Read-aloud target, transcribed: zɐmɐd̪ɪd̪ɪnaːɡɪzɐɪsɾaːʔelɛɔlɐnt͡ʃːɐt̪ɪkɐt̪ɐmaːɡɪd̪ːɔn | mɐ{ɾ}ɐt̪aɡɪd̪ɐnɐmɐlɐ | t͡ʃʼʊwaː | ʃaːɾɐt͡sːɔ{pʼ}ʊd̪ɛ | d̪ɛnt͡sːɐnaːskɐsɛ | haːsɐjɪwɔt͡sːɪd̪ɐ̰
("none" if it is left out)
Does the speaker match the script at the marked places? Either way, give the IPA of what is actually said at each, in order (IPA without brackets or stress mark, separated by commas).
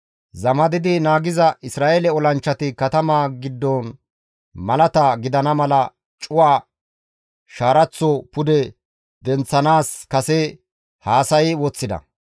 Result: l, p